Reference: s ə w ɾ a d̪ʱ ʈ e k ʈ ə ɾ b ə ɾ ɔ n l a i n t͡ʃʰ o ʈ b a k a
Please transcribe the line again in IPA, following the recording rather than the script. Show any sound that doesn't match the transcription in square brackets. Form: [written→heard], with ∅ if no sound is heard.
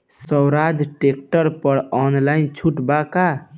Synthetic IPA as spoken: s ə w ɾ a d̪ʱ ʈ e k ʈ ə ɾ [b→p] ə ɾ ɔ n l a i n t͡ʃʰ [o→u] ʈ b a k a